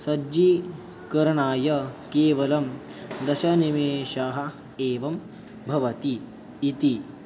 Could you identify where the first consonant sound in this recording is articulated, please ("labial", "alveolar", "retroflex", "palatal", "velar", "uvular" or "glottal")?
alveolar